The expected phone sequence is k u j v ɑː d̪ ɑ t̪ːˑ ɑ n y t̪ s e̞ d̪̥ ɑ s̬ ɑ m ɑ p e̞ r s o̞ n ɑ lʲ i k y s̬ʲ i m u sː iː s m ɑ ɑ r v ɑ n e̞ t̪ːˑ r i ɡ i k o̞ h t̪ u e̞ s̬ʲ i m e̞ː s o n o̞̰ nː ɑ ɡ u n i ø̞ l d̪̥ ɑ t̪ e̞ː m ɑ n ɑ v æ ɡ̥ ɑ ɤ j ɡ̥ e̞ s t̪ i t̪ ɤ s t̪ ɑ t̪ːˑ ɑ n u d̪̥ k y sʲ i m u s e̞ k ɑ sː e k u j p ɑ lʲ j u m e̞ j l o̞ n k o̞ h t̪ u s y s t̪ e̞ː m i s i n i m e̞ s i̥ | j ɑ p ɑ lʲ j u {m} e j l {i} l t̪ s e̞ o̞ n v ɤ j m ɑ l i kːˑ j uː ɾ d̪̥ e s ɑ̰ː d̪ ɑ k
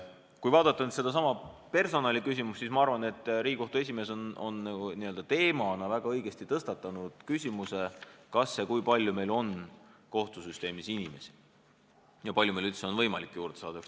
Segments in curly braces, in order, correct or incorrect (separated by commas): correct, incorrect